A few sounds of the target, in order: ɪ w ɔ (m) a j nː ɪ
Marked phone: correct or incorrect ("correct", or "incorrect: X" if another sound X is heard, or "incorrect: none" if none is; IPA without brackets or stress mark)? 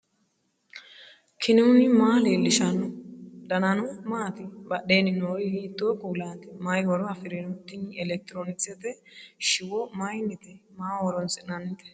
correct